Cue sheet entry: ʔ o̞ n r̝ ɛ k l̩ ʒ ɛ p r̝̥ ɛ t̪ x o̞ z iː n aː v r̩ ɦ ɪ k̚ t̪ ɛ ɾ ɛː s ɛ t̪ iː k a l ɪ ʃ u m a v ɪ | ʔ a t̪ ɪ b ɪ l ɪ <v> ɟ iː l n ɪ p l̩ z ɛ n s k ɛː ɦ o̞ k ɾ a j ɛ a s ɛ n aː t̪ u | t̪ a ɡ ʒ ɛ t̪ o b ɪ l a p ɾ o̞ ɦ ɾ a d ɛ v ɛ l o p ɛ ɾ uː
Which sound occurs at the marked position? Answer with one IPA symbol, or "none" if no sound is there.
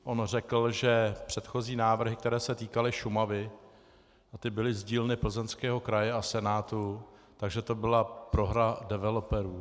z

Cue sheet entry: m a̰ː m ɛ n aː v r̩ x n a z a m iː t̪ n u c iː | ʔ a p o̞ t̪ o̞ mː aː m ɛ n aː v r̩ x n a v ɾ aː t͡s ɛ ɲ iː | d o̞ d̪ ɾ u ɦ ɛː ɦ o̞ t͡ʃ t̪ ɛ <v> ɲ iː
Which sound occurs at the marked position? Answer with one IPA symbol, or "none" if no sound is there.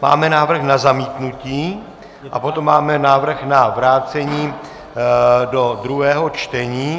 none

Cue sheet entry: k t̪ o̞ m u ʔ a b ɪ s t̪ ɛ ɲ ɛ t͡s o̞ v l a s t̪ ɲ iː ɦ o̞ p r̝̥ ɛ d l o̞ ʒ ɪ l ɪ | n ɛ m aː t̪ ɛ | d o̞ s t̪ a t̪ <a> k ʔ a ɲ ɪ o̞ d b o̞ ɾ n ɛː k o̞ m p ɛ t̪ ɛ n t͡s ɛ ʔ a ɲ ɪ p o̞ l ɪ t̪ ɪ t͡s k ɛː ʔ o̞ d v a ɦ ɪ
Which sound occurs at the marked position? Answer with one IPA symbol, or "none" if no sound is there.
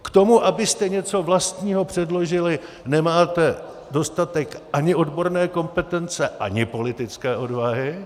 ɛ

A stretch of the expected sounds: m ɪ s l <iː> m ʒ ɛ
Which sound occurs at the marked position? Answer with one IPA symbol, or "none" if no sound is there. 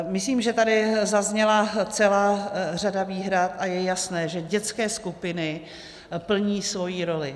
iː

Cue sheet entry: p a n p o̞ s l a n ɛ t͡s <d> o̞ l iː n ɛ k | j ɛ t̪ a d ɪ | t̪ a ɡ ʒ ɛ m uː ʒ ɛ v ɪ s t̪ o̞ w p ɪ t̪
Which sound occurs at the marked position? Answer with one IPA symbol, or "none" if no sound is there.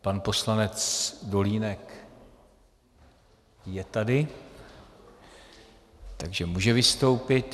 d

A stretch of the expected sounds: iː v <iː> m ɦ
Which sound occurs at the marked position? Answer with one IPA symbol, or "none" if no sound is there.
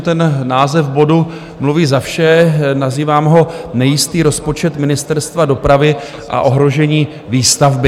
aː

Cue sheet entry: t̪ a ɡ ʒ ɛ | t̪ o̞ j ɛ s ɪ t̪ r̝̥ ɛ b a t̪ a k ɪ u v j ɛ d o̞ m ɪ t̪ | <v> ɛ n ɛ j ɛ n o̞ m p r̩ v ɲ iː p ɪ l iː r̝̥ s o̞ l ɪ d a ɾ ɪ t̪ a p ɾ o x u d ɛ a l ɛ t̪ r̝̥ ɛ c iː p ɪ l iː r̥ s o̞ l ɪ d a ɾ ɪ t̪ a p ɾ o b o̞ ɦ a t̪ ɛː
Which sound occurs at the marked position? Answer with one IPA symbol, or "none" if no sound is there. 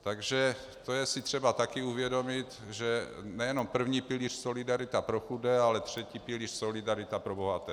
ʒ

